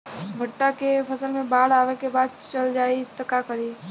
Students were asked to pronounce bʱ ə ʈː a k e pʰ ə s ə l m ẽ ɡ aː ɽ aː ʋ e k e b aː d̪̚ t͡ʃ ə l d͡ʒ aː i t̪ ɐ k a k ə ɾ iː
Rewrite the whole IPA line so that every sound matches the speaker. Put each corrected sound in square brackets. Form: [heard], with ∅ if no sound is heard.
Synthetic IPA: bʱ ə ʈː a k e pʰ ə s ə l m ẽ [b] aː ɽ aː ʋ e k e b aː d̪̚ t͡ʃ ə l d͡ʒ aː i t̪ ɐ k a k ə ɾ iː

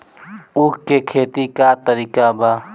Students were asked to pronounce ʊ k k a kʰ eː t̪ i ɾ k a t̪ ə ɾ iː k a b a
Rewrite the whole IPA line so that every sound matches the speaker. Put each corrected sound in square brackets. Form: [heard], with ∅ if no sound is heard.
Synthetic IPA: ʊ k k [e] kʰ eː t̪ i [∅] k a t̪ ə ɾ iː k a b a

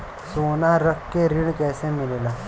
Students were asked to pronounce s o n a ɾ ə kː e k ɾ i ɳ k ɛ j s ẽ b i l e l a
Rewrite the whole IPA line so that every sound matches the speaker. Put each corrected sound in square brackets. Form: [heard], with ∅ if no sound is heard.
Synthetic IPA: s o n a ɾ ə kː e [∅] ɾ i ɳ k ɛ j s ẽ [m] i l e l a

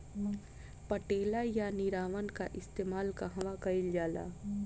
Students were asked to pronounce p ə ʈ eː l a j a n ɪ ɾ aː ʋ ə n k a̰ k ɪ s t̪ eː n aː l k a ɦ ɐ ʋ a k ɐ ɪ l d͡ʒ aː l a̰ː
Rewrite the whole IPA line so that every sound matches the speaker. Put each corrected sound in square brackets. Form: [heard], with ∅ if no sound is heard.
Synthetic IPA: p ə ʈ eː l a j a n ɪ ɾ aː ʋ ə n k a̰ [ʔ] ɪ s t̪ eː [m] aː l k a ɦ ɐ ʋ a k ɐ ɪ l d͡ʒ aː l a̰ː

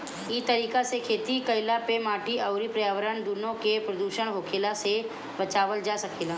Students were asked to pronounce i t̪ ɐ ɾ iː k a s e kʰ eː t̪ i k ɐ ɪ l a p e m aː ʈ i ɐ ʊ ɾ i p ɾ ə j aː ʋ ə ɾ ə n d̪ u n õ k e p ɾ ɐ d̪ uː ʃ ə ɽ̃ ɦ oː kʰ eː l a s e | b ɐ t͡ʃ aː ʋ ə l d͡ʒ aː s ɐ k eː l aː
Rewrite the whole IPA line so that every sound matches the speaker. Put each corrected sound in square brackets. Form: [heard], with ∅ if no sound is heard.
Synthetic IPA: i t̪ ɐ ɾ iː k a s e kʰ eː t̪ i k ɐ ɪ l a p e m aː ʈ i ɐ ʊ ɾ i p ɾ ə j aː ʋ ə ɾ ə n d̪ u n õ k e p ɾ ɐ d̪ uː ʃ ə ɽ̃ ɦ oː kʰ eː l a s e | b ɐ t͡ʃ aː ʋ ə l d͡ʒ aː s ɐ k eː l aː

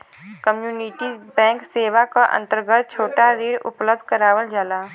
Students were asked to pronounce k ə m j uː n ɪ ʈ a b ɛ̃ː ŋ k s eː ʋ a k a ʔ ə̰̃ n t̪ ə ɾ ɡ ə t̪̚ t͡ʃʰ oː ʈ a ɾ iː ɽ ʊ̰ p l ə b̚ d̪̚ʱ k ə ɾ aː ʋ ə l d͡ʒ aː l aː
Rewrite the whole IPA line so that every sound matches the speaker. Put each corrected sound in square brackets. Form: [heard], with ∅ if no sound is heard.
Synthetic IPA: k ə m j uː n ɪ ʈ [i] b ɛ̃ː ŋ k s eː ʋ a k a ʔ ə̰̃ n t̪ ə ɾ ɡ ə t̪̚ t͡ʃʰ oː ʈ a ɾ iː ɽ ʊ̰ p l ə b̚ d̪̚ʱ k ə ɾ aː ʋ ə l d͡ʒ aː l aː

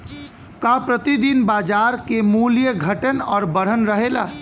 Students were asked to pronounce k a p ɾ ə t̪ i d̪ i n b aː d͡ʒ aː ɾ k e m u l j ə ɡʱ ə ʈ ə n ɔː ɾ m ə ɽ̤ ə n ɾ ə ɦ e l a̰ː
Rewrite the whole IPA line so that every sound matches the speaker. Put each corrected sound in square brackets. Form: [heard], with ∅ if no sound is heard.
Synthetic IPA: k a p ɾ ə t̪ i d̪ i n b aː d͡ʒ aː ɾ k e m u l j ə ɡʱ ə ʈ ə n ɔː ɾ [b] ə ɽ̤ ə n ɾ ə ɦ e l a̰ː

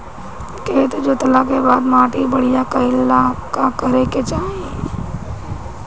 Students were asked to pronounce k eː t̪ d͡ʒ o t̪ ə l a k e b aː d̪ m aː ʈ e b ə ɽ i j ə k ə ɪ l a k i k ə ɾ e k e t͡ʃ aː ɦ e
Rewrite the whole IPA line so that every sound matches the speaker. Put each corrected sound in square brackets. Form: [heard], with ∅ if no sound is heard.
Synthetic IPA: k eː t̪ d͡ʒ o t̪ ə l a k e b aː d̪ m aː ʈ [i] b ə ɽ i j [a] k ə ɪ l a k [a] k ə ɾ e k e t͡ʃ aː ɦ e

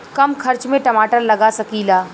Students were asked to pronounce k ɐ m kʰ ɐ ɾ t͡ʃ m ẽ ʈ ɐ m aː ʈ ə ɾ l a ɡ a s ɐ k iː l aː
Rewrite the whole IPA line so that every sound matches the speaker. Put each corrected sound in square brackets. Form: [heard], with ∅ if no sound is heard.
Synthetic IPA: k ɐ m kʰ ɐ ɾ t͡ʃ m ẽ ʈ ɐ m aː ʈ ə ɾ l [ɐ] ɡ a s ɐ k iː l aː

